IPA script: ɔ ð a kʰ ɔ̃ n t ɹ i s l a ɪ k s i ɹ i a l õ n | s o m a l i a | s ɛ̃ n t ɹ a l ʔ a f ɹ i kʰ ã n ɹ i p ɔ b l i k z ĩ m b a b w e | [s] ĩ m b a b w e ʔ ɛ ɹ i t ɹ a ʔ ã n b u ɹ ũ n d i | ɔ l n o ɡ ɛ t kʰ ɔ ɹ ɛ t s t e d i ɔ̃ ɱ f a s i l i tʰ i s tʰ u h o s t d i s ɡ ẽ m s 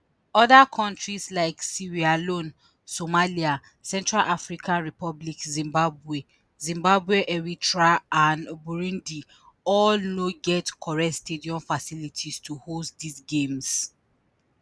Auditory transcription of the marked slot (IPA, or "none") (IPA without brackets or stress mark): z